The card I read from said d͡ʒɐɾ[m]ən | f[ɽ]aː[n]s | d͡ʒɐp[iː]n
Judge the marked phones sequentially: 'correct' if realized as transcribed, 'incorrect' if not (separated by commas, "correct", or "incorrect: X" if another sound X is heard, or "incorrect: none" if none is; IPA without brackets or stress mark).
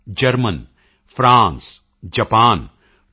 correct, incorrect: ɾ, correct, incorrect: aː